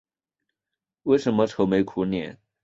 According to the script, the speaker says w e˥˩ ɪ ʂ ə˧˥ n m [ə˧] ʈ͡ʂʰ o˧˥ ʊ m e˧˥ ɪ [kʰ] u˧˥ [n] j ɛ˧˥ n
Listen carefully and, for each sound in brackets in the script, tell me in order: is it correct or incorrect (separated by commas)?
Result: correct, correct, correct